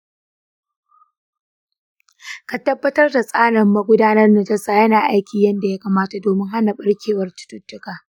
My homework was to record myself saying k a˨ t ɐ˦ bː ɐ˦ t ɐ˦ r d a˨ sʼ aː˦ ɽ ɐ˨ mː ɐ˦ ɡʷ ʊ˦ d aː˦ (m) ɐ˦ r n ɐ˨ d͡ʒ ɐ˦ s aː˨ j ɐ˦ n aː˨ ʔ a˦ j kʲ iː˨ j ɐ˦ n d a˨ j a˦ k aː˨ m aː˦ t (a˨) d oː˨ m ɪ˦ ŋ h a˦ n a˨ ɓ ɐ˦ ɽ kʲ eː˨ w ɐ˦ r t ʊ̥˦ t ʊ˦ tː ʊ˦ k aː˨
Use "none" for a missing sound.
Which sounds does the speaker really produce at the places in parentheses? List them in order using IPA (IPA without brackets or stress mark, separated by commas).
n, a˨